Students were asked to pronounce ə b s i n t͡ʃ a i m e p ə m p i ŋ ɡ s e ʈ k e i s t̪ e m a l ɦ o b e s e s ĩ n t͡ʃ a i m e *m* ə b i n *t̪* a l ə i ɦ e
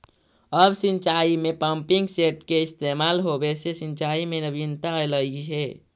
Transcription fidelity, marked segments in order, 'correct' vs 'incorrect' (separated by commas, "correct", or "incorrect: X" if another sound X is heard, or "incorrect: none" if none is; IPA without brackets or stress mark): incorrect: n, correct